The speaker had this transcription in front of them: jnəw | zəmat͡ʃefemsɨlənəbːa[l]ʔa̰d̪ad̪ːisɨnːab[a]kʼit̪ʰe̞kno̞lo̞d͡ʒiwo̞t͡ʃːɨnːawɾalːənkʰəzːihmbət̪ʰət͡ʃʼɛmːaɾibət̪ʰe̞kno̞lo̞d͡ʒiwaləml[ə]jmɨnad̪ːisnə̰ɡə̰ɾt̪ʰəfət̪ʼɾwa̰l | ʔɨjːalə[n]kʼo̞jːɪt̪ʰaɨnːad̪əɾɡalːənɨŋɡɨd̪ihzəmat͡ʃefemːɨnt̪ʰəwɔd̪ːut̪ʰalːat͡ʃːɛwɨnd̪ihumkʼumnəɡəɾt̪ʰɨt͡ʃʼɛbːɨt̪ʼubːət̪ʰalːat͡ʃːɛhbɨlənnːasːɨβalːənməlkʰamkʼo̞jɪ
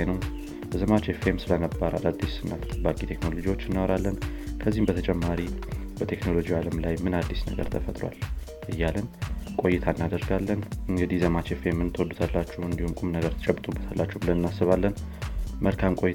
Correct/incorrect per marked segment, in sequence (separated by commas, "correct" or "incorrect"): incorrect, correct, incorrect, correct